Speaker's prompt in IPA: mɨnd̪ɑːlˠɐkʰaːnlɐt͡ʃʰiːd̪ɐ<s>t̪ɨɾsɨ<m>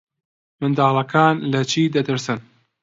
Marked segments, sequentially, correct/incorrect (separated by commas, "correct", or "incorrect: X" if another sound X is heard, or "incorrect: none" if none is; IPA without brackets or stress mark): incorrect: none, incorrect: n